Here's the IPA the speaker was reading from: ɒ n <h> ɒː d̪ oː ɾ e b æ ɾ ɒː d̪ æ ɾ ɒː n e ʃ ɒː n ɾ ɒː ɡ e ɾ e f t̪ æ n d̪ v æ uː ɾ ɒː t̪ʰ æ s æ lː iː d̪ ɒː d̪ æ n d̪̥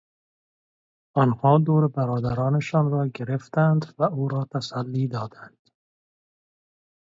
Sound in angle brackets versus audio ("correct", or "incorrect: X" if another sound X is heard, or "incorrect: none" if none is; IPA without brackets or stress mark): correct